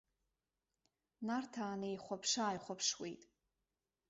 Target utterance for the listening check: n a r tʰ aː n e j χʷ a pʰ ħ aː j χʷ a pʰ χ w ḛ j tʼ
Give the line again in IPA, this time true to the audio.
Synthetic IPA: n a r tʰ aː n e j χʷ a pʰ ʂ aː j χʷ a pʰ ʂ w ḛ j tʼ